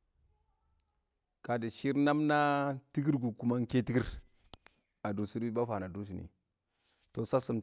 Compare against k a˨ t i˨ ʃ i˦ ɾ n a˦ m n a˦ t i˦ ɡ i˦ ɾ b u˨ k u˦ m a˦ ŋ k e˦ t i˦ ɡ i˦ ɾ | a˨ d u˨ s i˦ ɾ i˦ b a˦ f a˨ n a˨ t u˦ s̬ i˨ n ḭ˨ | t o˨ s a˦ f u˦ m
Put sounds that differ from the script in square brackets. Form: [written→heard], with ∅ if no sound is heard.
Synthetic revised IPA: k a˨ [t→d] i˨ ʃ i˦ ɾ n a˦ m n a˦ t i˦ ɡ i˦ ɾ [b→ɡ] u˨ k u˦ m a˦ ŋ k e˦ t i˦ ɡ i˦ ɾ | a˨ d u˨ s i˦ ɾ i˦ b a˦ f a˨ n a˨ [t→d] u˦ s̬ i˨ n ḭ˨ | t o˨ s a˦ [f→s] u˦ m

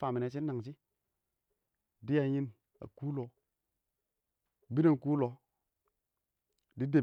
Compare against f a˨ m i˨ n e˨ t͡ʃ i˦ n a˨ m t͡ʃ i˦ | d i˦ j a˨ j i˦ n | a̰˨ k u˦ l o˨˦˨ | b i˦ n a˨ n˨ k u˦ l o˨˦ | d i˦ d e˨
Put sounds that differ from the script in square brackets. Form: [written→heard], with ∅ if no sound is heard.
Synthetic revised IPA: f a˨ m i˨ n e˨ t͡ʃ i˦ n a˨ [m→ŋ] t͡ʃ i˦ | d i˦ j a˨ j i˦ n | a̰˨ k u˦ l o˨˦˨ | b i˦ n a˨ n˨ k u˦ l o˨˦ | d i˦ d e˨

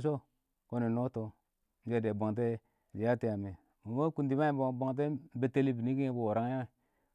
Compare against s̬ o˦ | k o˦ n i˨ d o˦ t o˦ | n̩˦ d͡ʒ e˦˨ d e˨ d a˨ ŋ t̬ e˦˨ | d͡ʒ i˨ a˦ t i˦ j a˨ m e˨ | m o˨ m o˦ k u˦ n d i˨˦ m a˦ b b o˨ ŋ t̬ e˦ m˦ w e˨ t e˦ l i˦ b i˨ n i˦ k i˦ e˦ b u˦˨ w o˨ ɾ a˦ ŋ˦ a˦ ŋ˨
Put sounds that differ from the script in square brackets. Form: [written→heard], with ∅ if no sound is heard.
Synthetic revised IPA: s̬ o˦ | k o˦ n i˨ [d→n] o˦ t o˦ | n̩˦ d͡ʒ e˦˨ d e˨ [d→b] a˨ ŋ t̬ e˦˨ | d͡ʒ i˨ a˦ t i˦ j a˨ m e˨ | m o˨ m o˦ k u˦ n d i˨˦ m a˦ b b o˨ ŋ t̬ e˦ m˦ [w→b] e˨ t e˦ l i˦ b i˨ n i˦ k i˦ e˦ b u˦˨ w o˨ ɾ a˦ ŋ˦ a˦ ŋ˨

